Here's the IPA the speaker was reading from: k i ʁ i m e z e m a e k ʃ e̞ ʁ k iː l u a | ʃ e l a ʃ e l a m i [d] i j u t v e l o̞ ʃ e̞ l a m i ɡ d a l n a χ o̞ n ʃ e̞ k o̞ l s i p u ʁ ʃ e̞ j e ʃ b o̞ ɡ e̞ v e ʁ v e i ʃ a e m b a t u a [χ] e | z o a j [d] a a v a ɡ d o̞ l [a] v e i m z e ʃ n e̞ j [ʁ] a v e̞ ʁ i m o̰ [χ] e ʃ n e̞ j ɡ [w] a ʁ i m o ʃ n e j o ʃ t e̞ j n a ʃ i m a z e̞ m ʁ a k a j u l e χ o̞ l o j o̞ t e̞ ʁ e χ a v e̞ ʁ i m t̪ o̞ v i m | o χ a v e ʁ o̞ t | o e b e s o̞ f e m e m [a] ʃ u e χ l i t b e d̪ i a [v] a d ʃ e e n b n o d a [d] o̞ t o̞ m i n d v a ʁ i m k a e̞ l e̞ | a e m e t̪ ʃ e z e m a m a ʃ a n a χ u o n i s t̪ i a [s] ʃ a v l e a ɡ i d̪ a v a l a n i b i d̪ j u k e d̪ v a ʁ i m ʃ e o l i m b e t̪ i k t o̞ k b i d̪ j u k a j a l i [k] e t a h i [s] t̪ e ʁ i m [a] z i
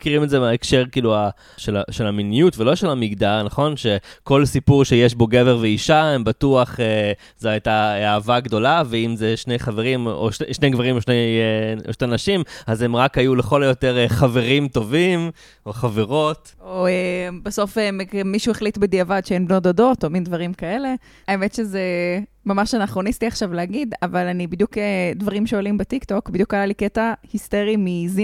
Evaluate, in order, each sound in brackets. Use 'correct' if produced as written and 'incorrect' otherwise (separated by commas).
incorrect, correct, incorrect, correct, incorrect, incorrect, incorrect, incorrect, correct, correct, incorrect, correct, correct, incorrect